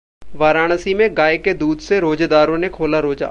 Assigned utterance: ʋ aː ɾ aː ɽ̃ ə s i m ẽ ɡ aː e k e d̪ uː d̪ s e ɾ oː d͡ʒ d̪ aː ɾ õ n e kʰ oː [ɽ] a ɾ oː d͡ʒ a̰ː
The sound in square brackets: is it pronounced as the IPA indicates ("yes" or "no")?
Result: no